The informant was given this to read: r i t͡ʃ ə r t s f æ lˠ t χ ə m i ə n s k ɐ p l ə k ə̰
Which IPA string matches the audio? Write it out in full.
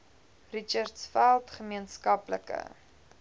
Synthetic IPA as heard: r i t͡ʃ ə r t s f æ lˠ t χ ə m i ə n s k ɐ p l ə k ə̰